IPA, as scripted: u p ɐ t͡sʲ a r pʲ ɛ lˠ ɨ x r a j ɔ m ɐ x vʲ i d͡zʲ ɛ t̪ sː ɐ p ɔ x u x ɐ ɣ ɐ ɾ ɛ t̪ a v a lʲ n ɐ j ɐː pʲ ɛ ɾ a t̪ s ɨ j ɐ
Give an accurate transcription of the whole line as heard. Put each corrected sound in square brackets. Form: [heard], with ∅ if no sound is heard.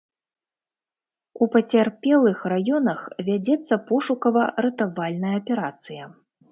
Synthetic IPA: u p ɐ t͡sʲ a r pʲ ɛ lˠ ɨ x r a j ɔ [n] ɐ x vʲ [a] d͡zʲ ɛ t̪ sː ɐ p ɔ [ʂ] u [k] ɐ [v] ɐ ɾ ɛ t̪ a v a lʲ n ɐ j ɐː pʲ ɛ ɾ a t̪ s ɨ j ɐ